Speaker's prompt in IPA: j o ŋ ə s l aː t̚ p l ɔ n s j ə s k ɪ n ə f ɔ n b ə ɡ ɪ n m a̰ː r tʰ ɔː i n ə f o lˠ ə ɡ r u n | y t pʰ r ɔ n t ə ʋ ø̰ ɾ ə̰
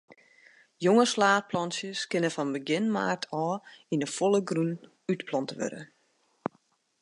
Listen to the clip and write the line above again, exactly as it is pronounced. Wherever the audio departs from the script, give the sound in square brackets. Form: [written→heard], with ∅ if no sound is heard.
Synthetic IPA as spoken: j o ŋ ə s l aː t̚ p l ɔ n s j ə s k ɪ n ə f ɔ n b ə ɡ ɪ n m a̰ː r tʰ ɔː i n ə f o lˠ ə ɡ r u n | y t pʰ [r→l] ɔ n t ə ʋ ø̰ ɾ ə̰